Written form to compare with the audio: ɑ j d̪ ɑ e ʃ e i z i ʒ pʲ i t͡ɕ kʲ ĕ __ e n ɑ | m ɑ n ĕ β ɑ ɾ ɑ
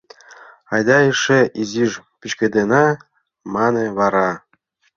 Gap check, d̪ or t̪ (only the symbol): d̪